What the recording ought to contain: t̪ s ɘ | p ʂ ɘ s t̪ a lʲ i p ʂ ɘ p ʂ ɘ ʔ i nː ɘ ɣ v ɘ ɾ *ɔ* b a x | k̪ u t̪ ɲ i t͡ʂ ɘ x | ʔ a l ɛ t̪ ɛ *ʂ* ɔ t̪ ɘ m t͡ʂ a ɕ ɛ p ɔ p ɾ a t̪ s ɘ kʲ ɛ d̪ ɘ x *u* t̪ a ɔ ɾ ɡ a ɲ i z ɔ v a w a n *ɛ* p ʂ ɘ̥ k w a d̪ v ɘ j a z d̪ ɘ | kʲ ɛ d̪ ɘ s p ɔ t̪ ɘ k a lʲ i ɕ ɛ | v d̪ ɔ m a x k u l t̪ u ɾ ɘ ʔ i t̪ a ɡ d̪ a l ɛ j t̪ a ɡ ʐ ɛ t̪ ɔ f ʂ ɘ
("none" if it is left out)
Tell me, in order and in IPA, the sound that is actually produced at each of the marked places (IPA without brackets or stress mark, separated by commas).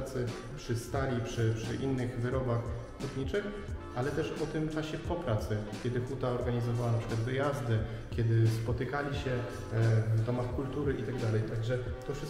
ɔ, ʂ, u, a